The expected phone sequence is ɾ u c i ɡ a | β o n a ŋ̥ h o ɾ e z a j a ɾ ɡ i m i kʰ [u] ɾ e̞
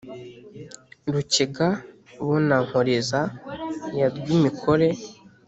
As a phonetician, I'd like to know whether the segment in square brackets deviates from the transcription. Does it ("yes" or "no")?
yes